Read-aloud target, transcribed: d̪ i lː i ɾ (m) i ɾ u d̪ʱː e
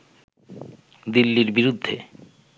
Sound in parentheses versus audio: incorrect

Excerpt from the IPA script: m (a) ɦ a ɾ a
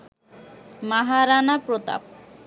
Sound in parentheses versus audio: correct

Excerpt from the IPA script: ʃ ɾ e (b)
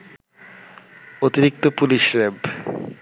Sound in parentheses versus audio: correct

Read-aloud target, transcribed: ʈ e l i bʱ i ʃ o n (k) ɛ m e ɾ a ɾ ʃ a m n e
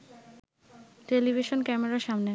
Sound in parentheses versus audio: correct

